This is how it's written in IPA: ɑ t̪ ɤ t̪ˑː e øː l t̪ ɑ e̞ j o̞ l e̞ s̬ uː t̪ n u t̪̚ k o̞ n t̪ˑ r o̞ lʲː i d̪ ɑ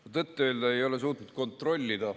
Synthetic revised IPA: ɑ t̪ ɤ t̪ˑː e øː l d̪ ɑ e̞ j o̞ l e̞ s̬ uː t̪ n u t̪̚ k o̞ n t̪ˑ r o̞ lʲː i d̪ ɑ